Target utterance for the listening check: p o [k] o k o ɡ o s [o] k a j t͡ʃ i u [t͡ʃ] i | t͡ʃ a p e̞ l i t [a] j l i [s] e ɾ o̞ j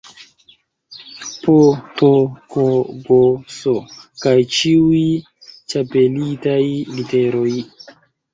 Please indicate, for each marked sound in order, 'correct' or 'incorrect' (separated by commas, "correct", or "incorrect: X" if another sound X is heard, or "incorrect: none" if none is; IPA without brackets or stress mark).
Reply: incorrect: t, correct, incorrect: none, correct, incorrect: t